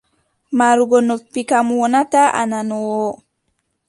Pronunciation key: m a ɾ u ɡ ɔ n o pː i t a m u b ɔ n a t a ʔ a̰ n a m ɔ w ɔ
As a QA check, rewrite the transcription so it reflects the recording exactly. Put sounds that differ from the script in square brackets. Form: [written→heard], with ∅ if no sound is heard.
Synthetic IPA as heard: m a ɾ u ɡ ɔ n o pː i [t→k] a m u [b→w] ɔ n a t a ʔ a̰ n a [m→n] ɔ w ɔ

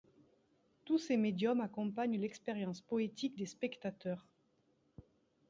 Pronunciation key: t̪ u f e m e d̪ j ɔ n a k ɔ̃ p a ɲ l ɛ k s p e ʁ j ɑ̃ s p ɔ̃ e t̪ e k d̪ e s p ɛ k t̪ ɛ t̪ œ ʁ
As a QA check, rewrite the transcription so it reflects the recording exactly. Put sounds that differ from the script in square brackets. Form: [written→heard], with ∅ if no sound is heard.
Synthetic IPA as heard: t̪ u [f→s] e m e d̪ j ɔ [n→m] a k ɔ̃ p a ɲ l ɛ k s p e ʁ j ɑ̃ s p [ɔ̃→ɔ] e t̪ [e→i] k d̪ e s p ɛ k t̪ [ɛ→a] t̪ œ ʁ

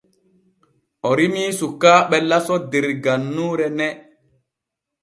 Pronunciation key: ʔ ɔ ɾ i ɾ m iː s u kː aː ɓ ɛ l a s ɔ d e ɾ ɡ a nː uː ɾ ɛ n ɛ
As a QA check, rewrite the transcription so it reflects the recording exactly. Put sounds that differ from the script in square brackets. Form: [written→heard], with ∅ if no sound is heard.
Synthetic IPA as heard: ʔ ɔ ɾ i [ɾ→∅] m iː s u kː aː ɓ ɛ l a s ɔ d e ɾ ɡ a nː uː ɾ ɛ n ɛ

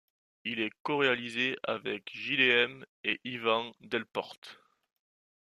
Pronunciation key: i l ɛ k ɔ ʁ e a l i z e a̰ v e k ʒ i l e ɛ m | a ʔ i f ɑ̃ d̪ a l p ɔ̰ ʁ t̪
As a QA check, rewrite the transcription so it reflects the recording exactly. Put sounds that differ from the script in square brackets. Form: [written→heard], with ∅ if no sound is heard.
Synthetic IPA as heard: i l ɛ k ɔ ʁ e a l i z e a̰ v [e→ɛ] k ʒ i l e ɛ m | [a→e] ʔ i [f→v] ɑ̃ d̪ [a→ɛ] l p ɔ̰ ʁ t̪

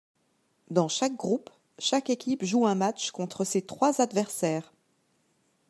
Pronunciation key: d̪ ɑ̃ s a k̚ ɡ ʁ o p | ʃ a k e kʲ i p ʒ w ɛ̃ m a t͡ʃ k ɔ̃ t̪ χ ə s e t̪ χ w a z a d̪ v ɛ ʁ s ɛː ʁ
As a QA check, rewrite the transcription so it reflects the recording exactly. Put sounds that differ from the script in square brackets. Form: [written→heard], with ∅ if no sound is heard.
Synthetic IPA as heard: d̪ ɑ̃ [s→ʃ] a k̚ ɡ ʁ [o→u] p | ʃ a k e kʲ i p ʒ [w→u] ɛ̃ m a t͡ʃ k ɔ̃ t̪ χ ə s e t̪ χ w a z a d̪ v ɛ ʁ s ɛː ʁ

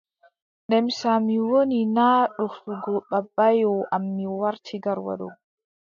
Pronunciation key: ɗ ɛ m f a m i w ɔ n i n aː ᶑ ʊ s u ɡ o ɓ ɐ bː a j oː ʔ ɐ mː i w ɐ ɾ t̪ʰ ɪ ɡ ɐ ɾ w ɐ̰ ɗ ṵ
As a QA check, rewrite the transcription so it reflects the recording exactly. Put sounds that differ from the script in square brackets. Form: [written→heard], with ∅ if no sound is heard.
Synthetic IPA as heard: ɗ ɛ m [f→s] a m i w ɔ n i n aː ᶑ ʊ [s→f] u ɡ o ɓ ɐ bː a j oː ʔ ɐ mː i w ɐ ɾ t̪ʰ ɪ ɡ ɐ ɾ w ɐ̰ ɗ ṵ

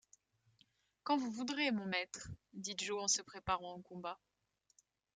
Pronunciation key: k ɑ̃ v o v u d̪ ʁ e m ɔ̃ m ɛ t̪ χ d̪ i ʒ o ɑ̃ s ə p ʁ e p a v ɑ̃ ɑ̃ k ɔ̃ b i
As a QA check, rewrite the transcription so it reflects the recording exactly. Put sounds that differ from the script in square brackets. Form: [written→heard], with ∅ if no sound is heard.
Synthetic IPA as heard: k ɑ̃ v [o→u] v u d̪ ʁ e m ɔ̃ m ɛ t̪ χ d̪ i ʒ o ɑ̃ s ə p [ʁ→χ] e p a [v→ʁ] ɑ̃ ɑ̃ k ɔ̃ b [i→a]

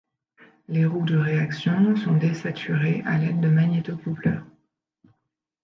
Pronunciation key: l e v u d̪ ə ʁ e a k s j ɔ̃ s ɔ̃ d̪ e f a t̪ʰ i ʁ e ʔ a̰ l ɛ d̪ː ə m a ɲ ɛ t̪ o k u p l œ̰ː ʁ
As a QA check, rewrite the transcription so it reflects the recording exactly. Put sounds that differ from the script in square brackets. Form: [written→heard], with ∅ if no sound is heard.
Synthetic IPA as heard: l e [v→ʁ] u d̪ ə ʁ e a k s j ɔ̃ s ɔ̃ d̪ e [f→s] a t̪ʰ [i→y] ʁ e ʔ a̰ l ɛ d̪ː ə m a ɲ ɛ t̪ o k u p l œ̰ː ʁ

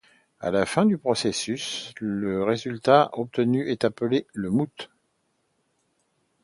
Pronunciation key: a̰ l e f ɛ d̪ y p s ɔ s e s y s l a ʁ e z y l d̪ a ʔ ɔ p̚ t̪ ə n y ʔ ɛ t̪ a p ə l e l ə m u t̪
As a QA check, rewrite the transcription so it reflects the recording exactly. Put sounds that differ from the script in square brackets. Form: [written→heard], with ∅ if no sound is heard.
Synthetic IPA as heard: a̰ l [e→a] f [ɛ→ɛ̃] d̪ y p [s→χ] ɔ s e s y s l [a→ə] ʁ e z y l [d̪→t̪] a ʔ ɔ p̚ t̪ ə n y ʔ ɛ t̪ a p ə l e l ə m u t̪

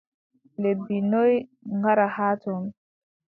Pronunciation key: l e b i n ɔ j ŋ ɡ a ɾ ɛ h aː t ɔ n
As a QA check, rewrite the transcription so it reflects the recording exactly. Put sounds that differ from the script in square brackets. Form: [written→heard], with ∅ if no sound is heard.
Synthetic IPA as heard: l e b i n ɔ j ŋ ɡ a ɾ [ɛ→a] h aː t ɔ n

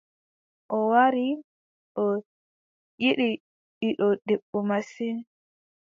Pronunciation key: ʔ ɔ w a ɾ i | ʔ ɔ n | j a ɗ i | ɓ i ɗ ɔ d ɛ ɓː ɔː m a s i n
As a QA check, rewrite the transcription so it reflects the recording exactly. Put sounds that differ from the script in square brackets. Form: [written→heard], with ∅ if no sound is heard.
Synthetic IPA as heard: ʔ ɔ w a ɾ i | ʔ ɔ [n→∅] | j [a→i] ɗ i | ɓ i ɗ ɔ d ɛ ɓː [ɔː→ɔ] m a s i n

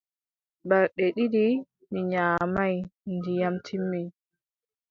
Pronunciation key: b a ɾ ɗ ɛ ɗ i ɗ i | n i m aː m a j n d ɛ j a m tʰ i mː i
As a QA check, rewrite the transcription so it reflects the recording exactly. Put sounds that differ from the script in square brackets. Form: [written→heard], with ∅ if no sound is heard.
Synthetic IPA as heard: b a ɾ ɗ ɛ ɗ i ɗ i | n i [m→ɲ] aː m a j n d [ɛ→i] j a m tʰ i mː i

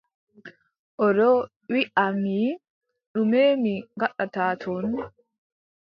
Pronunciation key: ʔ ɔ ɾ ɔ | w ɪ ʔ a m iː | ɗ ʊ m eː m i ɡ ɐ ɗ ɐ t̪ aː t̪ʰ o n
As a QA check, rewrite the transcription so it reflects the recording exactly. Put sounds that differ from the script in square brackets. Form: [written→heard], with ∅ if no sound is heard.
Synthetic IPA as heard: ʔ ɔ ɾ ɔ | w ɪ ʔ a m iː | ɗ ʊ m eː m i ɡ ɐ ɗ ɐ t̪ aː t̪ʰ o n

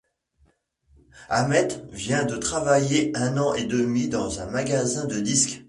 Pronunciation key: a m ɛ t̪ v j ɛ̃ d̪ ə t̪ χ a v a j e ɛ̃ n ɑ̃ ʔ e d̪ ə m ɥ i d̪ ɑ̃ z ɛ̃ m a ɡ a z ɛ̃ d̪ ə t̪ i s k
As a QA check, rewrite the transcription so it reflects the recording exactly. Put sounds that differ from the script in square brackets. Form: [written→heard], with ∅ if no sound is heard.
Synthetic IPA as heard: a m ɛ t̪ v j ɛ̃ d̪ ə t̪ χ a v a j e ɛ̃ n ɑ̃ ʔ e d̪ ə m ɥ i d̪ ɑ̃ z ɛ̃ m a ɡ a z ɛ̃ d̪ ə [t̪→d̪] i s k

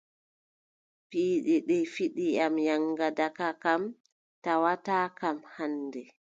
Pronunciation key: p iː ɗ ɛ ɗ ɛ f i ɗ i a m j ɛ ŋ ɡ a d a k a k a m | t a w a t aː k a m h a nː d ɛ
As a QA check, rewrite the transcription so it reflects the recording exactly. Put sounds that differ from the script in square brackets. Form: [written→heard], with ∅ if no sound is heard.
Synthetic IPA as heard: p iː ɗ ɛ ɗ ɛ f i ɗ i a m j [ɛ→a] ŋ ɡ a d a k a k a m | t a w a t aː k a m h a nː d ɛ

